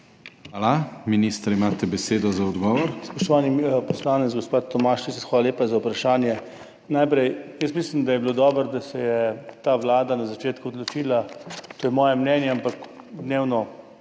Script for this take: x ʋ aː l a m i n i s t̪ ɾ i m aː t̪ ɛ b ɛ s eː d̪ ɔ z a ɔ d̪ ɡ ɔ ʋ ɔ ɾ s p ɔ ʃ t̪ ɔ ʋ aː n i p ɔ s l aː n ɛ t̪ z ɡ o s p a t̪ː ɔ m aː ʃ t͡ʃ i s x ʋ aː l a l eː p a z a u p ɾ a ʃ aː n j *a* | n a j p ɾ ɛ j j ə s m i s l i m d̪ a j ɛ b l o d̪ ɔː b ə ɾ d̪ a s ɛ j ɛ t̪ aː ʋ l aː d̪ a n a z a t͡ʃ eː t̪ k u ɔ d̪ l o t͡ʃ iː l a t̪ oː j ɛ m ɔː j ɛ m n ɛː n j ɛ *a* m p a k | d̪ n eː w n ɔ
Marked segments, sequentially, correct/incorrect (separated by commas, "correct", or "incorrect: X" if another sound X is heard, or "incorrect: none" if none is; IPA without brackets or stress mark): incorrect: ɛ, correct